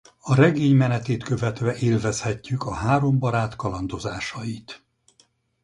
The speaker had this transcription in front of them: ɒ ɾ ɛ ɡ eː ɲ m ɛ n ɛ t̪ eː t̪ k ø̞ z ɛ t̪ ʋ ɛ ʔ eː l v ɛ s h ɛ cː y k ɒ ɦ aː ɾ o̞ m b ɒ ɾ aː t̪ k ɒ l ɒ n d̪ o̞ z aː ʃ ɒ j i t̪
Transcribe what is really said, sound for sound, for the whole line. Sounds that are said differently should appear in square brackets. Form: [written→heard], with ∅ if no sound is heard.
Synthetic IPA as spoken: ɒ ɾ ɛ ɡ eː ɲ m ɛ n ɛ t̪ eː t̪ k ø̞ [z→v] ɛ t̪ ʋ ɛ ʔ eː l v ɛ s h ɛ cː y k ɒ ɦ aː ɾ o̞ m b ɒ ɾ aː t̪ k ɒ l ɒ n d̪ o̞ z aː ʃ ɒ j i t̪